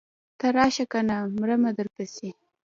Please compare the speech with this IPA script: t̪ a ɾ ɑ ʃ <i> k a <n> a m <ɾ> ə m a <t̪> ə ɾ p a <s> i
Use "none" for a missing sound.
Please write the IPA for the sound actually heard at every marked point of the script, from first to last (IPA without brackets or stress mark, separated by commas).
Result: a, n, ɾ, d̪, s